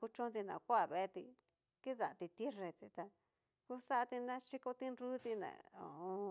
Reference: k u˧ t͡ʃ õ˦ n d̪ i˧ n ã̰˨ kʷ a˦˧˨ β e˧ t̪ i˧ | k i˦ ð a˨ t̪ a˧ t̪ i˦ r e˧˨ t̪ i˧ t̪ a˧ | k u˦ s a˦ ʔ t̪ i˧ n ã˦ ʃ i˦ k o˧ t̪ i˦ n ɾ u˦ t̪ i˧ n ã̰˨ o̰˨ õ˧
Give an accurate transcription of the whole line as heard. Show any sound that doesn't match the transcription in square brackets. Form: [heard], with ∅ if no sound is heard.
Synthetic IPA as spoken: k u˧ t͡ʃ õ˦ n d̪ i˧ n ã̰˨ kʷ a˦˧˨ β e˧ t̪ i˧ | k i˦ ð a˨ t̪ [i˧] t̪ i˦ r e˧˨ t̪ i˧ t̪ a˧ | k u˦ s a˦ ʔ t̪ i˧ n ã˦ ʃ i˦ k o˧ t̪ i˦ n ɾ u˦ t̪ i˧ n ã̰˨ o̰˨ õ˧